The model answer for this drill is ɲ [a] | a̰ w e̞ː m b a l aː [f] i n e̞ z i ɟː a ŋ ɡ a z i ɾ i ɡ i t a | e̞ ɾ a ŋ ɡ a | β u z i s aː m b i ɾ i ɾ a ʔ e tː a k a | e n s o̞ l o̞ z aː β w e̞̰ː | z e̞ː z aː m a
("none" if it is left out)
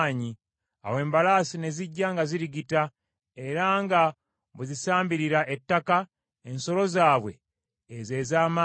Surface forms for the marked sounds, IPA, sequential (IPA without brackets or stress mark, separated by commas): i, s